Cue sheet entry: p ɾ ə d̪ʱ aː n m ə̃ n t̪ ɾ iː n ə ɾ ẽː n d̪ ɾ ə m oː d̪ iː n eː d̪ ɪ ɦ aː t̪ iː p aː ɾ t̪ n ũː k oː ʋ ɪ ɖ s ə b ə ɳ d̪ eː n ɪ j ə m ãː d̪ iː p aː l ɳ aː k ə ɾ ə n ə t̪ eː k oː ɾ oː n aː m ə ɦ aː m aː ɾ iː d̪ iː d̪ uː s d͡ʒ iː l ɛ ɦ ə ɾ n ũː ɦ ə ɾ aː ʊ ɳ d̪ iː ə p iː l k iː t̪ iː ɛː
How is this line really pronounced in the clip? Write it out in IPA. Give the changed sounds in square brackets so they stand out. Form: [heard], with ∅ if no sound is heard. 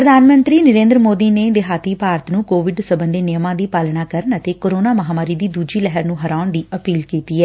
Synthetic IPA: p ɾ ə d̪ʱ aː n m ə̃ n t̪ ɾ iː n ə ɾ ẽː n d̪ ɾ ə m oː d̪ iː n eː d̪ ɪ ɦ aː t̪ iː p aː ɾ t̪ n ũː k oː ʋ ɪ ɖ s ə b ə [n] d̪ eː n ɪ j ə m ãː d̪ iː p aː l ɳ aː k ə ɾ ə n ə t̪ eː k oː ɾ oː n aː m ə ɦ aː m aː ɾ iː d̪ iː d̪ uː [∅] d͡ʒ iː l ɛ ɦ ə ɾ n ũː ɦ ə ɾ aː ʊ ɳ d̪ iː ə p iː l k iː t̪ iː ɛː